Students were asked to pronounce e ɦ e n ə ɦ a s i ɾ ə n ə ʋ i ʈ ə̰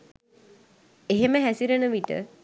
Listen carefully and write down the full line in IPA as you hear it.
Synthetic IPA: e ɦ e m ə ɦ æ s i ɾ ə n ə ʋ i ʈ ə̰